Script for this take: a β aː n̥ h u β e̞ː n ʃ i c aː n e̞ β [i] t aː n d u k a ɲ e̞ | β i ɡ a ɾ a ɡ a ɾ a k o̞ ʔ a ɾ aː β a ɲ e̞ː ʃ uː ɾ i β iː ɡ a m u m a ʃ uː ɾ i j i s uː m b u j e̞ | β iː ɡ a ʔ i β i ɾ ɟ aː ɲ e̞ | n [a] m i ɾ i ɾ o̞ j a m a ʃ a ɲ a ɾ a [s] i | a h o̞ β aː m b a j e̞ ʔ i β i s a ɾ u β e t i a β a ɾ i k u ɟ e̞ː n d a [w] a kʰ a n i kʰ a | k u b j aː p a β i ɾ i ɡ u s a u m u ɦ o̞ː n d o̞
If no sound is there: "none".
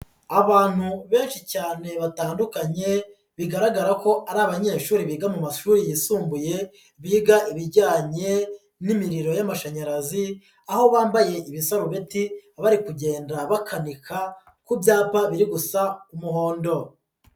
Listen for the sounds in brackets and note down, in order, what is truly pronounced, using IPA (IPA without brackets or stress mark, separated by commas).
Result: a, i, z, β